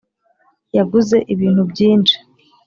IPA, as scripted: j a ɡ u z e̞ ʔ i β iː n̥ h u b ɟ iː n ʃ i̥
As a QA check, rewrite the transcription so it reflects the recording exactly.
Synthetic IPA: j a ɡ u z e̞ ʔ i β iː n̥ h u b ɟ iː n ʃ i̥